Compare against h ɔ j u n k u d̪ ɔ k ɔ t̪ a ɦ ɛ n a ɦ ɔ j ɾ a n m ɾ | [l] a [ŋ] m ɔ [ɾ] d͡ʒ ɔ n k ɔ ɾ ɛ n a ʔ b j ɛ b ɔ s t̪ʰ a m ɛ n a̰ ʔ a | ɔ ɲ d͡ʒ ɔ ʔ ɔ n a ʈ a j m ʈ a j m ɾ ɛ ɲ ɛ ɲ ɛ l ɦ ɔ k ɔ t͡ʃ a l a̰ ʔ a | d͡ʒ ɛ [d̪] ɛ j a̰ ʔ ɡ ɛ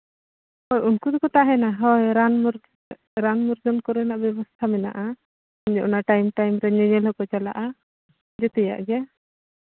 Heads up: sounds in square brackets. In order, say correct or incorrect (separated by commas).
incorrect, incorrect, correct, incorrect